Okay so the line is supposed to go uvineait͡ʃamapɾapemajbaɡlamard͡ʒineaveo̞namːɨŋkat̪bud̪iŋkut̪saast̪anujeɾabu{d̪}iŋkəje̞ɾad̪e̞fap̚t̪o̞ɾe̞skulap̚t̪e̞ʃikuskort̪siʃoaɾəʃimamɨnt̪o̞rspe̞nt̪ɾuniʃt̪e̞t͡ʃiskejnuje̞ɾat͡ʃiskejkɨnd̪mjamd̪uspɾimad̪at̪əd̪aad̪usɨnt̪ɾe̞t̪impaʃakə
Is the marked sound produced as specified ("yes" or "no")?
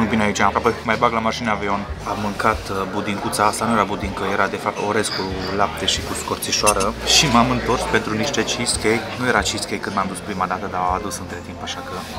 yes